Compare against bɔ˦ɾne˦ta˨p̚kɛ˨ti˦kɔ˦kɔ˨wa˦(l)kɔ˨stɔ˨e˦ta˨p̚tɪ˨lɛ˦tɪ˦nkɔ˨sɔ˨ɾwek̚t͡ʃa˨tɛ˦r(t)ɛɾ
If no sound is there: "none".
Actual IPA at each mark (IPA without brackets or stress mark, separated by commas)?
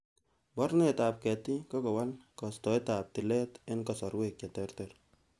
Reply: l, t